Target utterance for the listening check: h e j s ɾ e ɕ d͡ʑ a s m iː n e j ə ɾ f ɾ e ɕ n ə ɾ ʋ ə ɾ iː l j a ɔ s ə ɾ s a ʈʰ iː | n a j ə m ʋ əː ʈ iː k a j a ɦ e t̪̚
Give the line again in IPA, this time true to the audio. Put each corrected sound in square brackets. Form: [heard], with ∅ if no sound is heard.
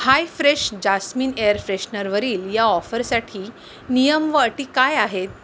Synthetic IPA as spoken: h [a] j [f] ɾ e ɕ d͡ʑ a s m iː n e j ə ɾ f ɾ e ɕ n ə ɾ ʋ ə ɾ iː l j a ɔ [f] ə ɾ s a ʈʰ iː | n [i] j ə m ʋ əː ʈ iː k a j a ɦ e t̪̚

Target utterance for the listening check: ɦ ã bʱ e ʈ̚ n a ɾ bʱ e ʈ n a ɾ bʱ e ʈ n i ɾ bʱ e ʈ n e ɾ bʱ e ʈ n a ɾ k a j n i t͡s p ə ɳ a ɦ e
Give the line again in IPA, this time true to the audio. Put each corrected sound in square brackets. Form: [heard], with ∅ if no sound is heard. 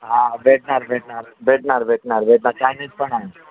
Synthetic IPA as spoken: ɦ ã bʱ e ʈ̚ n a ɾ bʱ e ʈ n a ɾ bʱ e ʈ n [a] ɾ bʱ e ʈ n [a] ɾ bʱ e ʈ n a ɾ k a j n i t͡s p ə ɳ a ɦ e

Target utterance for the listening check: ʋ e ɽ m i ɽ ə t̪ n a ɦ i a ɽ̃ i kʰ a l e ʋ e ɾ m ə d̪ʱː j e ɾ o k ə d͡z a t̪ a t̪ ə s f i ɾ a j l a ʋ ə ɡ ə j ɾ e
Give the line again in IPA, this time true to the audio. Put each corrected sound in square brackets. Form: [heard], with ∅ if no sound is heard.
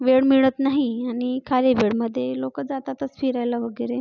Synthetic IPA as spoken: ʋ e ɽ m i [ɭ] ə t̪ n a ɦ i a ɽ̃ i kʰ a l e ʋ e [ɽ] m ə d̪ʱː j e [l] o k ə d͡z a t̪ a t̪ ə s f i ɾ a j l a ʋ ə ɡ ə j ɾ e

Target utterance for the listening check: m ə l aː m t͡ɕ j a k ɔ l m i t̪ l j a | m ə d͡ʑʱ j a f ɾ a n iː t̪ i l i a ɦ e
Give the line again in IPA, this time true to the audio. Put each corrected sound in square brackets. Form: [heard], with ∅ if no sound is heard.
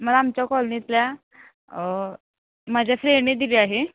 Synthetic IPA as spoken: m ə l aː m t͡ɕ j a k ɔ l [n] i t̪ l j a | m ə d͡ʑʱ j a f ɾ [e] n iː [d̪] i l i a ɦ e

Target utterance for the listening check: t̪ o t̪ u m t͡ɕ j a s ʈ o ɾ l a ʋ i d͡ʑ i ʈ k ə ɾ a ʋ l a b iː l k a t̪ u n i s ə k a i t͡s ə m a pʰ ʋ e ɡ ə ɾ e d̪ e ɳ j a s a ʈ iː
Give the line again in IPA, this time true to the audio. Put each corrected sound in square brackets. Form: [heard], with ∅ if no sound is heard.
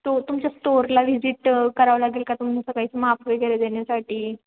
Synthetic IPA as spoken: t̪ o t̪ u m t͡ɕ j a s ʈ o ɾ l a ʋ i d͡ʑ i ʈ k ə ɾ a ʋ l a [ɡ] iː l k a t̪ u [m] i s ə k a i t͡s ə m a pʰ ʋ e ɡ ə ɾ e d̪ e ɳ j a s a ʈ iː

